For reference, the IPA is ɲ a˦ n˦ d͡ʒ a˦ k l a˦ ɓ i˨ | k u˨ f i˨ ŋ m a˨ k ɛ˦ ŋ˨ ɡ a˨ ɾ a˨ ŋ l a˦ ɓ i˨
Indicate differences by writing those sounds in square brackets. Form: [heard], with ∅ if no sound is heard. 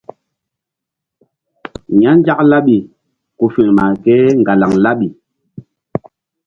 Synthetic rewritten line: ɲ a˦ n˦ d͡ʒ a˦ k l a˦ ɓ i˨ | k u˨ f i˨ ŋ m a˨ k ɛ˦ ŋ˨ ɡ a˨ [l] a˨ ŋ l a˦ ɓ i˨